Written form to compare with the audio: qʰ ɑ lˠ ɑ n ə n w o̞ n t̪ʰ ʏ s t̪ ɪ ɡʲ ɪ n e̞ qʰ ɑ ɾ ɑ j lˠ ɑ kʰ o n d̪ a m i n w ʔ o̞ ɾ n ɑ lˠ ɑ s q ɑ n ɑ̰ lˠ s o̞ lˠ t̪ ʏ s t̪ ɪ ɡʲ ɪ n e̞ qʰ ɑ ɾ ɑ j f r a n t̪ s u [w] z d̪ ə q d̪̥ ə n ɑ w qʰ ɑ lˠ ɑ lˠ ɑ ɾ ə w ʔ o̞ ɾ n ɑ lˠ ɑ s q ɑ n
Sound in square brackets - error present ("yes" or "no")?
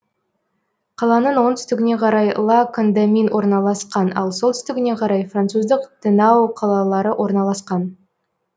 yes